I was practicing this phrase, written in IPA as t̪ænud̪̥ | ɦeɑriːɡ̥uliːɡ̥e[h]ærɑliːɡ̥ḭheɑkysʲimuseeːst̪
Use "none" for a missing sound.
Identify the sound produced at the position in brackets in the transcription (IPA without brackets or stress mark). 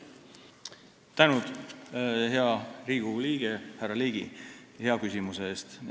h